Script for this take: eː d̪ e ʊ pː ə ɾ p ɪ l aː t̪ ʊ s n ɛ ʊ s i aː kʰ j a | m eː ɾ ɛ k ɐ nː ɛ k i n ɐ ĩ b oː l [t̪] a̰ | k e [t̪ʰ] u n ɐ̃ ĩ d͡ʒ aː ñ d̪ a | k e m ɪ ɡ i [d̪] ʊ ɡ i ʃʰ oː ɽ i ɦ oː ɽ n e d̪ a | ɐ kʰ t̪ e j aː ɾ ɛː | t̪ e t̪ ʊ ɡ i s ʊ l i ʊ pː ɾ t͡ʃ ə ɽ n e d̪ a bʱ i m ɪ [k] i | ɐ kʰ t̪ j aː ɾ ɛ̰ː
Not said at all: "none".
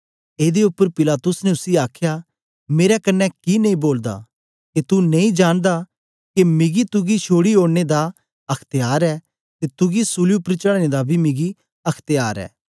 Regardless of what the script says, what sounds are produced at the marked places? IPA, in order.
d̪, t̪, t̪, ɡ

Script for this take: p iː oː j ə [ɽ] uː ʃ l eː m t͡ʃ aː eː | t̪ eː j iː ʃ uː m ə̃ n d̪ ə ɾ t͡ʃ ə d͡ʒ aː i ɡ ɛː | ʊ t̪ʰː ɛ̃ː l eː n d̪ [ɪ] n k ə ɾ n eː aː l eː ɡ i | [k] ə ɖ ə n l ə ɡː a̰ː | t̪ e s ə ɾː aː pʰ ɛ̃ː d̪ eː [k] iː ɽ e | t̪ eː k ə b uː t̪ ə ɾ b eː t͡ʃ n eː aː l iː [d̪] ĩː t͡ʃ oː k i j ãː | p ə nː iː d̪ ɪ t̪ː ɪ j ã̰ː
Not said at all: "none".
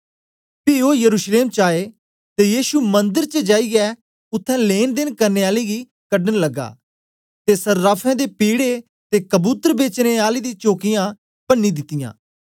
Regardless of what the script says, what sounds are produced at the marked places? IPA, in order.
ɾ, ɪ, k, p, d̪

